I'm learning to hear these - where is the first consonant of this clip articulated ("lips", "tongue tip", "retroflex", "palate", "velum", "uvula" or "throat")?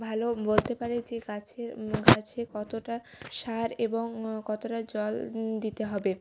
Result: lips